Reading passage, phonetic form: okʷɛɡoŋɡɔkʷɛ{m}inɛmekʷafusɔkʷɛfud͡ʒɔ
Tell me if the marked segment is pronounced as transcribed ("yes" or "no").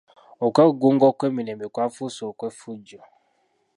yes